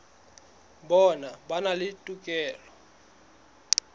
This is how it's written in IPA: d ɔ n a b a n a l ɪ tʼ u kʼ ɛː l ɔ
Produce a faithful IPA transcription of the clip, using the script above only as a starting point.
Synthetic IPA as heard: b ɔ n a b a n a l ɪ tʼ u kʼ ɛː l ɔ